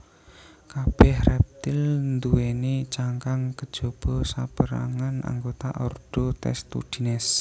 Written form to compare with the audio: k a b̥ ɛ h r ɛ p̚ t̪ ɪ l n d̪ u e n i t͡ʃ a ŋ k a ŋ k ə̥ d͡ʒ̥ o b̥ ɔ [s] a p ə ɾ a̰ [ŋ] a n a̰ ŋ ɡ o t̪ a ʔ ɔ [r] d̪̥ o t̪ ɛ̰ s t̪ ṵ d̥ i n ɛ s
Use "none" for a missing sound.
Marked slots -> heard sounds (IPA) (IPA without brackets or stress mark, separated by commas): s, ŋ, r